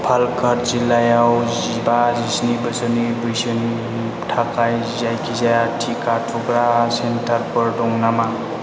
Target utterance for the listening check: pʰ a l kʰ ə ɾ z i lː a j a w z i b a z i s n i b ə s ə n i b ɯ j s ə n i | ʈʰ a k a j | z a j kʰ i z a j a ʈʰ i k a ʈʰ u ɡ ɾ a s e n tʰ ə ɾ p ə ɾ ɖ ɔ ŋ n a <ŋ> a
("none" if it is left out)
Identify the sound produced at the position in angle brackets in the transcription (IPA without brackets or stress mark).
m